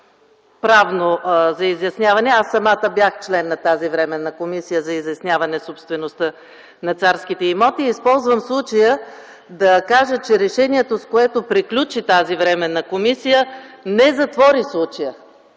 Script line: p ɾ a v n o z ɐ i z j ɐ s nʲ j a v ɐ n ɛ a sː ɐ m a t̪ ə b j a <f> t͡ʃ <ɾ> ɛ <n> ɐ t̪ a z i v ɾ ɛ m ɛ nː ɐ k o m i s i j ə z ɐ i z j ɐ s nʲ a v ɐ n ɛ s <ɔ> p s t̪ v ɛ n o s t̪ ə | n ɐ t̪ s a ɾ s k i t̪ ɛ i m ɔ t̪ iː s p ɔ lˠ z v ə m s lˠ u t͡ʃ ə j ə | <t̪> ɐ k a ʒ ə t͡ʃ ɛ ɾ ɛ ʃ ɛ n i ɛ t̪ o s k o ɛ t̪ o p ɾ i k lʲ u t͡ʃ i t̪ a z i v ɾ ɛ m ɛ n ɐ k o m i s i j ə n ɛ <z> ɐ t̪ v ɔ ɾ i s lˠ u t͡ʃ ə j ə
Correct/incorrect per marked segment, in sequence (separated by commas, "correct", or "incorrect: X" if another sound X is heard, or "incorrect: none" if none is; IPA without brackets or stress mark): incorrect: x, incorrect: l, incorrect: nː, incorrect: o, incorrect: d̪, correct